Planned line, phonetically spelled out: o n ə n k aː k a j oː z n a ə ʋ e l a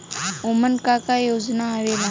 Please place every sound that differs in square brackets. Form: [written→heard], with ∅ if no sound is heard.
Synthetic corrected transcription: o [n→m] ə n k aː k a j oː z n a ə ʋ e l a